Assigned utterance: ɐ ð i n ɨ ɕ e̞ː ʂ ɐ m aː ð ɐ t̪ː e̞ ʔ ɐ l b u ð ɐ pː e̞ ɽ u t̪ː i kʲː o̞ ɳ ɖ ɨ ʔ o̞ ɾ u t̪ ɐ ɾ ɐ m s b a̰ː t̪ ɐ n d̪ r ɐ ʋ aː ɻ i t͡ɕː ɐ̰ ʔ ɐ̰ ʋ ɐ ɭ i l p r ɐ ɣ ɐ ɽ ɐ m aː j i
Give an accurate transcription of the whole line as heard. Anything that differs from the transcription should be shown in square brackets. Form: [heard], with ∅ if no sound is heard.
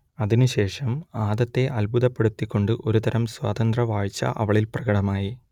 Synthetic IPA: ɐ ð i n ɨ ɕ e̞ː ʂ ɐ m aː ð ɐ t̪ː e̞ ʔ ɐ l b u ð ɐ pː e̞ ɽ u t̪ː i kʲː o̞ ɳ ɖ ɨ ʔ o̞ ɾ u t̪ ɐ ɾ ɐ m s [w] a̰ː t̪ ɐ n d̪ r ɐ ʋ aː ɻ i t͡ɕː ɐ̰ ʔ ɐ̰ ʋ ɐ ɭ i l p r ɐ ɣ ɐ ɽ ɐ m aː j i